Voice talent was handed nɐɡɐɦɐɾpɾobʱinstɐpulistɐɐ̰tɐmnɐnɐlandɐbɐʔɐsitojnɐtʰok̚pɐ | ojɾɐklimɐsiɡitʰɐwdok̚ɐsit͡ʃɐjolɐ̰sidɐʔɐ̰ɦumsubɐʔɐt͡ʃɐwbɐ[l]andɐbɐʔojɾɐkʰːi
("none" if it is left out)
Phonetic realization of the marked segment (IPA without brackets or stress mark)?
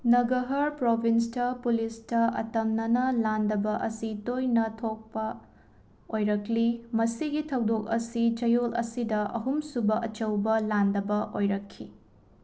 l